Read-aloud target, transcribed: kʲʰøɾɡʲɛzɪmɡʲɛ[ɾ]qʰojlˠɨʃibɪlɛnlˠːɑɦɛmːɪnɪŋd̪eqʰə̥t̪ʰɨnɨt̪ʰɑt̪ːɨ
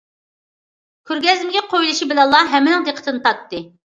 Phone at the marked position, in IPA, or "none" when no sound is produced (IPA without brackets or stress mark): none